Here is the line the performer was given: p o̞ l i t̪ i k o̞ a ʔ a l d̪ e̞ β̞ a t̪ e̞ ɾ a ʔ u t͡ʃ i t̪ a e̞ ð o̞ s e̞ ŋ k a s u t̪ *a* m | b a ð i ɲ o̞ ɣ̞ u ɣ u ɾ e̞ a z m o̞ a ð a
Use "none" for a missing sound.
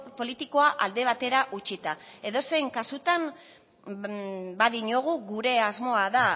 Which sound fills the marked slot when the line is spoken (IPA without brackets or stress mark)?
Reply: a